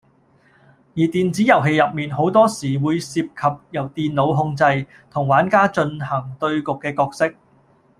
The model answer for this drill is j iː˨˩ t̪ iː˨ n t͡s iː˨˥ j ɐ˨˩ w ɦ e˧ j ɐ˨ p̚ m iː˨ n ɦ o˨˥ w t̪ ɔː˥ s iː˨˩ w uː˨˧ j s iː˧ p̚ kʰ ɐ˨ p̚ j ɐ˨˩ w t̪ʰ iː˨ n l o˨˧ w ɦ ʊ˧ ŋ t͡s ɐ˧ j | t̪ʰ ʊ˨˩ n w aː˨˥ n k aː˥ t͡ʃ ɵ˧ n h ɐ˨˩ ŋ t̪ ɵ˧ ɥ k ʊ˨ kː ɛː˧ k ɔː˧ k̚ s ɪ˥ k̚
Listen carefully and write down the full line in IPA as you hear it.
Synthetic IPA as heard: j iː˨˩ t̪ iː˨ n t͡s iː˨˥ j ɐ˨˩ w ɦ e˧ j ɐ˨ p̚ m iː˨ n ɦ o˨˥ w t̪ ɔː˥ s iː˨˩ w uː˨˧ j s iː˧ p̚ kʰ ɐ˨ p̚ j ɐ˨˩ w t̪ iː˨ n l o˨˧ w ɦ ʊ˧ ŋ t͡s ɐ˧ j | t̪ʰ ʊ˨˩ ŋ w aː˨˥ n k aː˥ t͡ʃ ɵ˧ n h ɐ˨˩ ŋ t̪ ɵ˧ ɥ k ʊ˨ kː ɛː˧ k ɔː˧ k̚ s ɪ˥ k̚